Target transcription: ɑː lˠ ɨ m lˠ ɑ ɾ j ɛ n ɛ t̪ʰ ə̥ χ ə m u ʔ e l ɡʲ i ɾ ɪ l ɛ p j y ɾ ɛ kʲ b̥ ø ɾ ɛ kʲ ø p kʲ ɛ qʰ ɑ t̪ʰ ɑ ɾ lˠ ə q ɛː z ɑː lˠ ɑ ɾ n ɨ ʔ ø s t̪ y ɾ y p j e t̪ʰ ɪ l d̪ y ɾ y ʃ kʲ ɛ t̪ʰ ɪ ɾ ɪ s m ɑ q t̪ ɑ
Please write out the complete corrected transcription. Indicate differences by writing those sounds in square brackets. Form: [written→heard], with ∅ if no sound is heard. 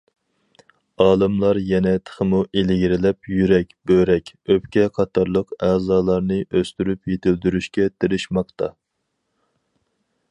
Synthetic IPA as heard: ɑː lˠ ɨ m lˠ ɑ ɾ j ɛ n ɛ t̪ʰ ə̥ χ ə m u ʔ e l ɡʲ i ɾ ɪ l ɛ p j y ɾ ɛ kʲ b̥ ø ɾ ɛ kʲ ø p kʲ ɛ qʰ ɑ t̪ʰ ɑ ɾ lˠ ə q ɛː z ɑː lˠ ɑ ɾ n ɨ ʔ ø s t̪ y ɾ y p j e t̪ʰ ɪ l d̪ y ɾ y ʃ kʲ ɛ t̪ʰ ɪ ɾ ɪ [s→ʃ] m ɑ q t̪ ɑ